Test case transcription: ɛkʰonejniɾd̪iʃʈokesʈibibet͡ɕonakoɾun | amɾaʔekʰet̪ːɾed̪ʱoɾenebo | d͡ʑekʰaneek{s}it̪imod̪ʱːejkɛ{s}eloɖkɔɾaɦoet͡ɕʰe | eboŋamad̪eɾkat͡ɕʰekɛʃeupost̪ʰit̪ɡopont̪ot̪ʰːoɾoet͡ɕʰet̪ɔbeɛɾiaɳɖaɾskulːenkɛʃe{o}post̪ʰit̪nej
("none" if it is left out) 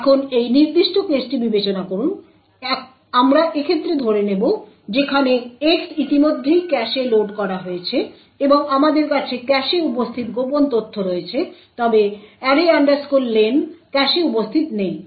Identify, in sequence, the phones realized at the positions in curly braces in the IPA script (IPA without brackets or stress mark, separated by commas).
s, ʃ, u